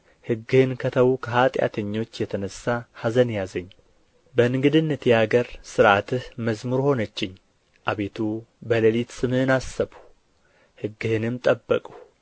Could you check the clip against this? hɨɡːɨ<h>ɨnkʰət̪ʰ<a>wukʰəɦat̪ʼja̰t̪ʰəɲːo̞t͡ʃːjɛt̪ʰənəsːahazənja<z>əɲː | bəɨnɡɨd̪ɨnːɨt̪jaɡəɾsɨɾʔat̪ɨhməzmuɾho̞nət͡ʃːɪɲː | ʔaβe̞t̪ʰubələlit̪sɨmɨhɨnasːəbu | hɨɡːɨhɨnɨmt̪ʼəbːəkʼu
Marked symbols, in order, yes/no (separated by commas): yes, no, yes